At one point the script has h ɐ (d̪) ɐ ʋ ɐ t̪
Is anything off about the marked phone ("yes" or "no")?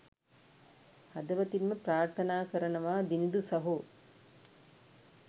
no